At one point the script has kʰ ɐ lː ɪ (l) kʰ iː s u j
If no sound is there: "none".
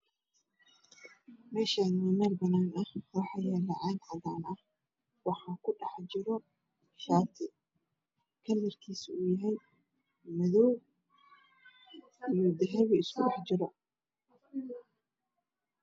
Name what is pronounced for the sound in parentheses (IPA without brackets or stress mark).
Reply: r